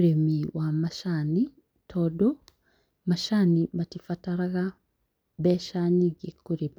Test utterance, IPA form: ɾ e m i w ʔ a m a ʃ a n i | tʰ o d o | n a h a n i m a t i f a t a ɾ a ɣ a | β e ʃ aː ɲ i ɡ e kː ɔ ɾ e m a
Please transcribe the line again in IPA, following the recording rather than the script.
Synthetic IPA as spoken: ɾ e m i w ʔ a m a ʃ a n i | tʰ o d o | m a ʃ a n i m a t i f a t a ɾ a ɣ a | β e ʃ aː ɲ i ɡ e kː u ɾ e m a